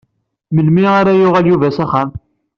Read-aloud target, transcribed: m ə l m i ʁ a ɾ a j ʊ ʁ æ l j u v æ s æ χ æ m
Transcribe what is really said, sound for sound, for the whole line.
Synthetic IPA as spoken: m ə l m i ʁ a ɾ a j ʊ ʁ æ l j u v æ s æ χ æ m